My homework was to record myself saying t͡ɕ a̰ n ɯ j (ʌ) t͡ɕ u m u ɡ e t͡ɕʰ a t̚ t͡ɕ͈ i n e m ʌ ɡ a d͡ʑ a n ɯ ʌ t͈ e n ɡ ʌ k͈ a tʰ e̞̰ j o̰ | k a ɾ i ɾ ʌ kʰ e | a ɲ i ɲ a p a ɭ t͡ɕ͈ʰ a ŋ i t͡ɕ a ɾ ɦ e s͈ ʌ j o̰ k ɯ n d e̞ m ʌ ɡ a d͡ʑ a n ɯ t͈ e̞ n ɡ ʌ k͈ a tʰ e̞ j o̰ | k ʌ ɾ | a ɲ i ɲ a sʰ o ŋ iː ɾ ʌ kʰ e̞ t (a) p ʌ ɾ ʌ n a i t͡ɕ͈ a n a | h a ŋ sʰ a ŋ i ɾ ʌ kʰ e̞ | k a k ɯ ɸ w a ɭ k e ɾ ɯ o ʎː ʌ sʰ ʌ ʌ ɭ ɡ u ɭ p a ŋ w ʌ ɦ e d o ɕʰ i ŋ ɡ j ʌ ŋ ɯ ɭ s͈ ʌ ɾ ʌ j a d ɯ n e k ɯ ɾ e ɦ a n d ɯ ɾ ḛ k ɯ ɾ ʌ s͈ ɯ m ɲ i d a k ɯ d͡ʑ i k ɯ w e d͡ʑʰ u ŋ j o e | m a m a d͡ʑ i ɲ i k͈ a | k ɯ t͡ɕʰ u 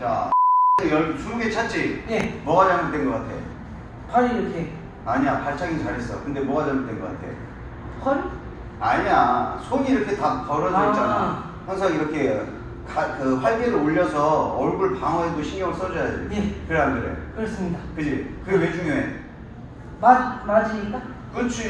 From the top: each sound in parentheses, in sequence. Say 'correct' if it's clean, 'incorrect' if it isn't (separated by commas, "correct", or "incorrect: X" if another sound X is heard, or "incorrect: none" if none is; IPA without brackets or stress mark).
correct, correct